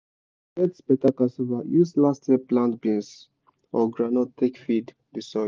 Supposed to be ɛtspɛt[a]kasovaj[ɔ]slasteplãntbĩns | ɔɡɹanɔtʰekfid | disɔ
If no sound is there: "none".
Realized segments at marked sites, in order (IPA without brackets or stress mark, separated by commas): a, u